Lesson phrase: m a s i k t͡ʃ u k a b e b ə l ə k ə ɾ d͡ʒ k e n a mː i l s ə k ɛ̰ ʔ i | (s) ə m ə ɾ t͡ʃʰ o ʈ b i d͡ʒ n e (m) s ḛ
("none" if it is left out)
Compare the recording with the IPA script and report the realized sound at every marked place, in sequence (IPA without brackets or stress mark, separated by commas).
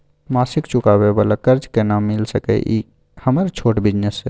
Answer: h, none